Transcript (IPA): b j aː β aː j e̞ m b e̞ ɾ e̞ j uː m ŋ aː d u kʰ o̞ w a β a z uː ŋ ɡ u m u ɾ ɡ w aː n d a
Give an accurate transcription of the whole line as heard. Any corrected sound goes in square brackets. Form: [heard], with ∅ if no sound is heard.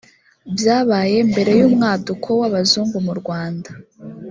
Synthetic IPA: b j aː β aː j e̞ m b e̞ ɾ e̞ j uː m ŋ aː d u kʰ o̞ w a β a z uː ŋ ɡ u m u ɾ ɡ w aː n d a